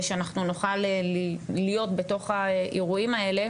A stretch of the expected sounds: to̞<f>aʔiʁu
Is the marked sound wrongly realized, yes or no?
yes